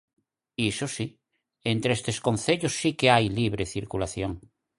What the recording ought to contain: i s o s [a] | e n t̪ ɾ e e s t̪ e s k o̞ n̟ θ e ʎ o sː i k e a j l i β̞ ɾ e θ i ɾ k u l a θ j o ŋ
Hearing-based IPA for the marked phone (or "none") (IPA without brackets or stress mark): i